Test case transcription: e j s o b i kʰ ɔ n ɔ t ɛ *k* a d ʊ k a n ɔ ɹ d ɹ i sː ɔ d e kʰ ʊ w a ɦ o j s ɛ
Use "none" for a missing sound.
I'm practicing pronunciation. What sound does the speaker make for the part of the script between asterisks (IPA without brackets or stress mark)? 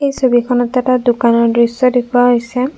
t